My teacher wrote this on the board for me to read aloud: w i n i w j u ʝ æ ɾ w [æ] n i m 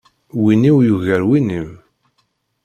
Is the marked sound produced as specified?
no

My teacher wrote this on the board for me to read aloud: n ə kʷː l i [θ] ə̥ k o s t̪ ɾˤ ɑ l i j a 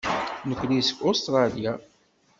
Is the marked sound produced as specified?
no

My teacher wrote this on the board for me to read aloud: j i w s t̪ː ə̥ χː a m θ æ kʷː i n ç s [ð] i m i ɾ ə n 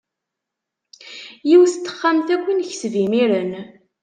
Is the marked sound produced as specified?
no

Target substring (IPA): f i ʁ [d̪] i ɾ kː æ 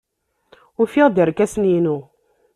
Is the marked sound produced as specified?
yes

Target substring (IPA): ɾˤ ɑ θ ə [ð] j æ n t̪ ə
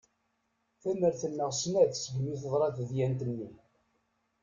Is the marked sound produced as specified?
yes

